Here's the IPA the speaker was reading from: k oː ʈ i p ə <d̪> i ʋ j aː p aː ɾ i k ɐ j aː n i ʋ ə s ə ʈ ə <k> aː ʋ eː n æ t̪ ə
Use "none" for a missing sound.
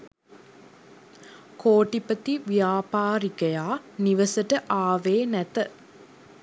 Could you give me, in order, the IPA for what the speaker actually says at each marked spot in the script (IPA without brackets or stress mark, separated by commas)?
t̪, ʔ